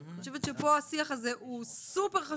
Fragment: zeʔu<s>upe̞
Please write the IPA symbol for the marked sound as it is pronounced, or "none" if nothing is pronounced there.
s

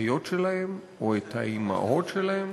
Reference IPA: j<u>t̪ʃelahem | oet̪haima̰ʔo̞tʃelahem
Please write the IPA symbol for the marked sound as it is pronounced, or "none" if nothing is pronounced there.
o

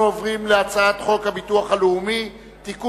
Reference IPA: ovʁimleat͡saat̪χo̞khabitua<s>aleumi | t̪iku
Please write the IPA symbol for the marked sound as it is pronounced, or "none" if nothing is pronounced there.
χ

